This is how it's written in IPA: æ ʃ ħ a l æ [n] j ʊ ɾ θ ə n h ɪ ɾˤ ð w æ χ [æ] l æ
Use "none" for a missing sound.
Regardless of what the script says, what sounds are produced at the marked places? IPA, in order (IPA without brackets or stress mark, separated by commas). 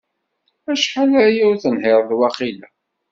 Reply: none, i